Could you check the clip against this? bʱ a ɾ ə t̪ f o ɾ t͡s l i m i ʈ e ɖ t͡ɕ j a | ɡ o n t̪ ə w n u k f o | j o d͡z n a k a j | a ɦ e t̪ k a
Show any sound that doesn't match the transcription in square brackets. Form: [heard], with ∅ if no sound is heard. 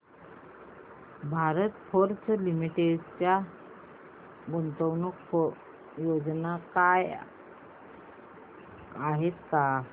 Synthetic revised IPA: bʱ a ɾ ə t̪ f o ɾ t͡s l i m i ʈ e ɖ t͡ɕ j a | ɡ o n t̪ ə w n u k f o | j o d͡z n a k a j | a ɦ e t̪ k a